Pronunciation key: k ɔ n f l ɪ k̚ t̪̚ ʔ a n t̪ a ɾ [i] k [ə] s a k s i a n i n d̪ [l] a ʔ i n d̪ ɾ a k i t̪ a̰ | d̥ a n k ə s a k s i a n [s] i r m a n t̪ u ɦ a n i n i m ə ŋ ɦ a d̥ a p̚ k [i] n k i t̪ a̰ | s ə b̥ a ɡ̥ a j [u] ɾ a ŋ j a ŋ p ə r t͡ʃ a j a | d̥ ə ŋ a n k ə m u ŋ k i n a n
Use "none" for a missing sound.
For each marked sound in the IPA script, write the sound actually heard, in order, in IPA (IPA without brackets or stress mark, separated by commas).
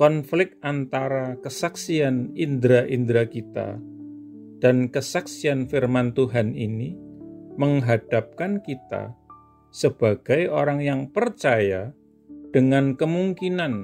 a, ə, ɾ, f, a, o